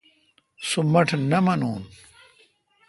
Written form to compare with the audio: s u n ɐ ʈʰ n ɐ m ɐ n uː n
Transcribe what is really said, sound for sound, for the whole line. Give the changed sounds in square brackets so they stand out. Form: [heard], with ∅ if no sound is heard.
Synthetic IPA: s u [m] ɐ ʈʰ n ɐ m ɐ n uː n